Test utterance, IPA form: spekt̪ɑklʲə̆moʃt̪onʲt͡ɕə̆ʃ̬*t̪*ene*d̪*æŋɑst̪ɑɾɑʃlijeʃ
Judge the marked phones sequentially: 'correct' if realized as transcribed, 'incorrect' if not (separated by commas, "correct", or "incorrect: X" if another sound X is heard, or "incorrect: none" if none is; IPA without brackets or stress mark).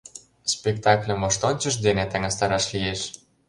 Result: incorrect: d̪, incorrect: t̪